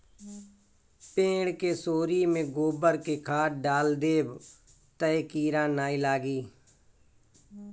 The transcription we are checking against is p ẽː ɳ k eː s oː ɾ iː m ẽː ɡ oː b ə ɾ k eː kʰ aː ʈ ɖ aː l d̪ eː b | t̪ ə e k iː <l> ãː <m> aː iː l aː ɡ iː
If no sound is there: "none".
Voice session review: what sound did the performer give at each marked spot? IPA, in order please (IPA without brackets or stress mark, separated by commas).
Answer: ɾ, n